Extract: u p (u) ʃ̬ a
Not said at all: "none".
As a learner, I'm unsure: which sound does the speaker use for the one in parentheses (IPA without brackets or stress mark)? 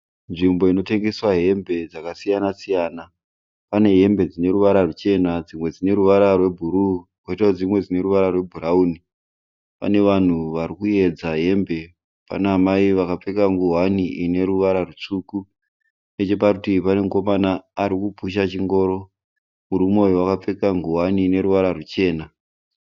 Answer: u